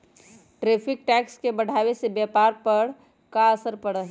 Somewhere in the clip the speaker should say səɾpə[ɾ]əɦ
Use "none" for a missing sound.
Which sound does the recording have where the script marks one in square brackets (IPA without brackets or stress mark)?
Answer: ɽ